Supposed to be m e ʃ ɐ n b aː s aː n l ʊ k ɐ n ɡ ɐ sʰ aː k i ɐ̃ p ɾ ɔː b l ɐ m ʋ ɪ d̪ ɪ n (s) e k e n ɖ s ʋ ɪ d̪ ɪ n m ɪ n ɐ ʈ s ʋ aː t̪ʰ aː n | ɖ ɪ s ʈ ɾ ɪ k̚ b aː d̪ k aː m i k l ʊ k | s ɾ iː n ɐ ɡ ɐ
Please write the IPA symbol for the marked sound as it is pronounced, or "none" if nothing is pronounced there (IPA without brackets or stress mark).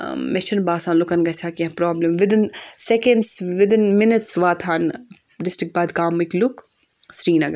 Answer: s